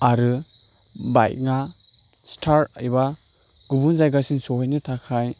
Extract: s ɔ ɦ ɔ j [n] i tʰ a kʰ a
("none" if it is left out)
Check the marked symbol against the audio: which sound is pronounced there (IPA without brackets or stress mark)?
n